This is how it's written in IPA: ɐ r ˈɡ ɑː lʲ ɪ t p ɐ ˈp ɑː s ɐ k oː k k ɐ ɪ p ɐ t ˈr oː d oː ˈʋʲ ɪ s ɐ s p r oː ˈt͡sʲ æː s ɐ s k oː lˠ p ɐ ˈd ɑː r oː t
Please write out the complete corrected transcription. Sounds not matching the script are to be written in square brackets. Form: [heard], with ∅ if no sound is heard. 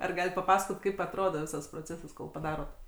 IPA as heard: ɐ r ˈɡ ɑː lʲ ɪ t p ɐ ˈp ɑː s ɐ k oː [t] k ɐ ɪ p ɐ t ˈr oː d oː ˈʋʲ ɪ s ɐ s p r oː ˈt͡sʲ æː s ɐ s k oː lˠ p ɐ ˈd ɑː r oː t